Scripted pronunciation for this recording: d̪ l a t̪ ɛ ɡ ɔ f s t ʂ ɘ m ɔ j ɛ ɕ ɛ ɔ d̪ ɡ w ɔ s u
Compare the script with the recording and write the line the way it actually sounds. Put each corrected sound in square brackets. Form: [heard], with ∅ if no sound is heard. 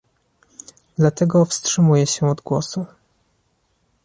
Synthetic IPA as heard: d̪ l a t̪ ɛ ɡ ɔ f s t ʂ ɘ m [u] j ɛ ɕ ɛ ɔ d̪ ɡ w ɔ s u